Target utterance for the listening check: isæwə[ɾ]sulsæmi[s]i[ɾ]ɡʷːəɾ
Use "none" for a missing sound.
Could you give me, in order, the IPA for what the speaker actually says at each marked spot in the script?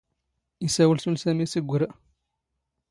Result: l, s, none

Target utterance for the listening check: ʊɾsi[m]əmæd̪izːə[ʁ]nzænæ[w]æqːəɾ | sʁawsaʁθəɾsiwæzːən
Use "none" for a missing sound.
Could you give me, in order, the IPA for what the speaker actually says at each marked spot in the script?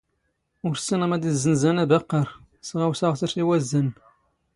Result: n, none, b

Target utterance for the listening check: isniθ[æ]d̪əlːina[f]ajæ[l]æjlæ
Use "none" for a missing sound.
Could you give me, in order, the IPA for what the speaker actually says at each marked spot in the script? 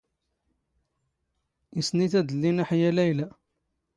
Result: æ, ħ, l

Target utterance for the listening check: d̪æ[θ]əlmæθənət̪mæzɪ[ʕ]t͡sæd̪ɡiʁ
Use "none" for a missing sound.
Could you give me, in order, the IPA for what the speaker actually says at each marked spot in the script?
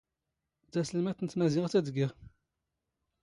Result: s, ʁ

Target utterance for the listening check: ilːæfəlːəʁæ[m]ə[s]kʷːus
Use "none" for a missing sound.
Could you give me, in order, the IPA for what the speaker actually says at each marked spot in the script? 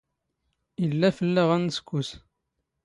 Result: n, s

